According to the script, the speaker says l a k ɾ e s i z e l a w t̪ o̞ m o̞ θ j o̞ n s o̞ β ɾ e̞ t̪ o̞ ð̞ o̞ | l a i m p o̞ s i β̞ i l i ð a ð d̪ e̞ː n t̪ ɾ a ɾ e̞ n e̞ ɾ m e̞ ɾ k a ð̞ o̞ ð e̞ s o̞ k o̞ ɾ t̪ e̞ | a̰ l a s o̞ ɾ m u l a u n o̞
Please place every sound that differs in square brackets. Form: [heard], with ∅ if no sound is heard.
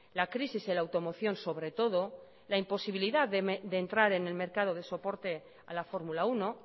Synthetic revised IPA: l a k ɾ [i] s i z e l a w t̪ o̞ m o̞ θ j o̞ n s o̞ β ɾ e̞ t̪ o̞ ð̞ o̞ | l a i m p o̞ s i β̞ i l i ð a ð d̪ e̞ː n t̪ ɾ a ɾ e̞ n e̞ [l] m e̞ ɾ k a ð̞ o̞ ð e̞ s o̞ [p] o̞ ɾ t̪ e̞ | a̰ l a [f] o̞ ɾ m u l a u n o̞